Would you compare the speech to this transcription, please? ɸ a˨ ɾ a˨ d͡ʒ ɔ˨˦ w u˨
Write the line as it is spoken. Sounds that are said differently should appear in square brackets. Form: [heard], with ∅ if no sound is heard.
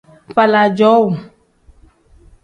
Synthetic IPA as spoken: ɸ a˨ [l] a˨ d͡ʒ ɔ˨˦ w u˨

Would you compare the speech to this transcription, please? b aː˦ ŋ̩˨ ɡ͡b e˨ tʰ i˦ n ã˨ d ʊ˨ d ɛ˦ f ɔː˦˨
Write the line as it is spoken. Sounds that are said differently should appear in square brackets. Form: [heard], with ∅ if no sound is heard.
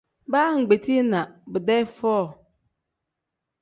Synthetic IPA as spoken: b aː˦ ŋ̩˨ ɡ͡b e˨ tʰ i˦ n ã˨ [b] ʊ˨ d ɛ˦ f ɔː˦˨

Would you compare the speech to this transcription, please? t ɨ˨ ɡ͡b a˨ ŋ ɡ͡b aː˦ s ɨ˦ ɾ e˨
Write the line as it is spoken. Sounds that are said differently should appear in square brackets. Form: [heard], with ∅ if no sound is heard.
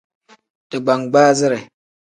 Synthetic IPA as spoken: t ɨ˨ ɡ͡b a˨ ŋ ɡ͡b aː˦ [z] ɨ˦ ɾ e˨

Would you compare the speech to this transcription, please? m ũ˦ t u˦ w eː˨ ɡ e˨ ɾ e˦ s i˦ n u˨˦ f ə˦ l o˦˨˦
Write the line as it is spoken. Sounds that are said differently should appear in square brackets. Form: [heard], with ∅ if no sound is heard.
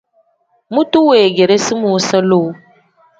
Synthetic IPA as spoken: m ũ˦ t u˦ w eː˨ ɡ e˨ ɾ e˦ s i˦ [m] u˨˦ [s] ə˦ l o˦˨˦

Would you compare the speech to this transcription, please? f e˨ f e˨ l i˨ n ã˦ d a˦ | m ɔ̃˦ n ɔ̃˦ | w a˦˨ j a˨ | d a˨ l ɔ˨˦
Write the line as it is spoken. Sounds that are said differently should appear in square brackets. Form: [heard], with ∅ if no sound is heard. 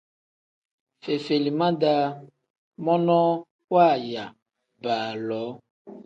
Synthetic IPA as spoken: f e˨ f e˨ l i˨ [m] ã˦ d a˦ | m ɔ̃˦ n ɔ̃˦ | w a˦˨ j a˨ | [b] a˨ l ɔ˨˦

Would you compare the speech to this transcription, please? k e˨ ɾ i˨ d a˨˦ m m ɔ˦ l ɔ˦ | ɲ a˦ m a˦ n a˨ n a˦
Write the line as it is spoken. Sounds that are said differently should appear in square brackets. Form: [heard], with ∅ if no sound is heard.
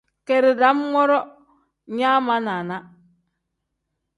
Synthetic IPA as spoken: k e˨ ɾ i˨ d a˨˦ m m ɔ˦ [ɾ] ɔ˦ | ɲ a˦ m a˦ n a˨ n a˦

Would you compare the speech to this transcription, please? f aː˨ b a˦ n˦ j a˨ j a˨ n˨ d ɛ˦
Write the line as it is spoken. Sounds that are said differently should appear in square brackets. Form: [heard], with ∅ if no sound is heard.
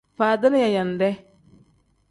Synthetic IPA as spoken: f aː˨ [d] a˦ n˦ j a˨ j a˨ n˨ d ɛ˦

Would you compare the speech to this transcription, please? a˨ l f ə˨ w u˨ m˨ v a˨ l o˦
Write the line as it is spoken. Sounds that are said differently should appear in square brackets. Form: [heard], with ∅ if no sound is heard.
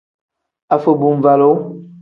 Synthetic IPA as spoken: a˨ [∅] f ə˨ [b] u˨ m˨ v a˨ l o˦

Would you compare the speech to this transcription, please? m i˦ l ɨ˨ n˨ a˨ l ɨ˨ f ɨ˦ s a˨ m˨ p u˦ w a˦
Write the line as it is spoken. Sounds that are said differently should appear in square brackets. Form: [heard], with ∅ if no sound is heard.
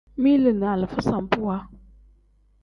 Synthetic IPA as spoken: m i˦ l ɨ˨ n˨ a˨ l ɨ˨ f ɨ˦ s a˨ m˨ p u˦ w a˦

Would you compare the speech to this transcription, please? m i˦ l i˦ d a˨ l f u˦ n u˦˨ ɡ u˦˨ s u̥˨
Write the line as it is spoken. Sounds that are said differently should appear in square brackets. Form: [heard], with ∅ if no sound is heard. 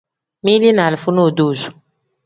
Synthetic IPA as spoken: m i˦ l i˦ [n] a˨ l f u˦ n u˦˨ [d] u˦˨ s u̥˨

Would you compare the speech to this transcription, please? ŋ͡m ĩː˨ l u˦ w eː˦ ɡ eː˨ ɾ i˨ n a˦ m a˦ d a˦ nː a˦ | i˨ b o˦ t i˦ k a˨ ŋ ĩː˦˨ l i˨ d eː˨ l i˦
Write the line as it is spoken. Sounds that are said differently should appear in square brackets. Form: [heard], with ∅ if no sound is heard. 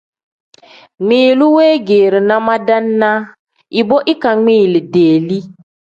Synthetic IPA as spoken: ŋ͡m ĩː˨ l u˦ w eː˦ ɡ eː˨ ɾ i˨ n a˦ m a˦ d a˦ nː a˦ | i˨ b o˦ [ʔ] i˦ k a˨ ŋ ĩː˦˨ l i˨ d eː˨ l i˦

